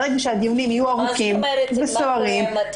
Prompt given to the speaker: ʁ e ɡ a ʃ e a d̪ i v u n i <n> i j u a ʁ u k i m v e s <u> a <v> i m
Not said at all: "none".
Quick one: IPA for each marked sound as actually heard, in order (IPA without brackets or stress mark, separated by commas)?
m, o, ʁ